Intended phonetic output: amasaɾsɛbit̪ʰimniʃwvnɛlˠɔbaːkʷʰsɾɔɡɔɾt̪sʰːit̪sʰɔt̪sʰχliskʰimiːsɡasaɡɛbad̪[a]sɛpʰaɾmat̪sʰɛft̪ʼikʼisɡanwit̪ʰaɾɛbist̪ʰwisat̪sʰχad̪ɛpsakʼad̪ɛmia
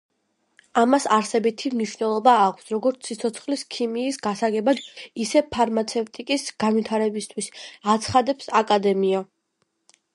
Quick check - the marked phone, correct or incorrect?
incorrect: i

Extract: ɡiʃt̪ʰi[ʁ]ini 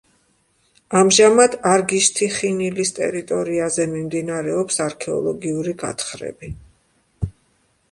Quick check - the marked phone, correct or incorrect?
incorrect: χ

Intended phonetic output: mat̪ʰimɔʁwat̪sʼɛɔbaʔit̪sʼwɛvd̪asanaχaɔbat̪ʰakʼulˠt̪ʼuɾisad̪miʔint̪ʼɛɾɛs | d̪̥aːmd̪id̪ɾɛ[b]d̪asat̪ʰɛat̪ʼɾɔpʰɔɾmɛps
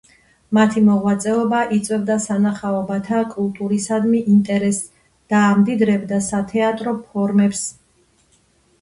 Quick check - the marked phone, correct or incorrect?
correct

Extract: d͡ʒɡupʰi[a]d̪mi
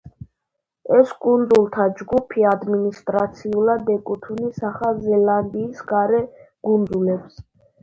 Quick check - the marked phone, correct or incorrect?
correct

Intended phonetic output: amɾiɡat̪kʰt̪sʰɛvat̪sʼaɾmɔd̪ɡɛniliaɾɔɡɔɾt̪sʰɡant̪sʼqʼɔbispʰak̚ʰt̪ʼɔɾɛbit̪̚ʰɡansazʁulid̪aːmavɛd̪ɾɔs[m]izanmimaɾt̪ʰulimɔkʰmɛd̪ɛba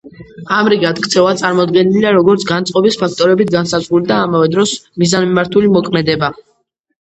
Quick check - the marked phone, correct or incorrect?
correct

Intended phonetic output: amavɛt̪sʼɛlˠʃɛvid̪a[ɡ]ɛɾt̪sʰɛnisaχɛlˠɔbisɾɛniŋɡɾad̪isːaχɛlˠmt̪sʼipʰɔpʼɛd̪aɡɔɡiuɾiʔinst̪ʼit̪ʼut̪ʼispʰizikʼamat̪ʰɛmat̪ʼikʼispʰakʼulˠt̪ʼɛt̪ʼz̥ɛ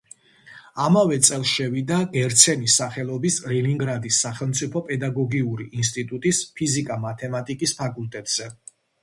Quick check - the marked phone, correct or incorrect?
correct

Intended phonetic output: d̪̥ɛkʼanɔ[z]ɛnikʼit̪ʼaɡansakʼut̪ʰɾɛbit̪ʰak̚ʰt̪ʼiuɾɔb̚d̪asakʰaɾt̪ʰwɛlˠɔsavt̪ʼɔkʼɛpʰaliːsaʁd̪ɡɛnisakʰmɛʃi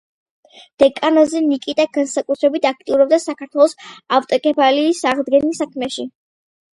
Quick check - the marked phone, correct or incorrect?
correct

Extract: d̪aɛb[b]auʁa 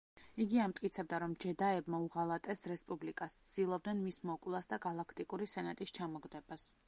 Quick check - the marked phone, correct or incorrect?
incorrect: m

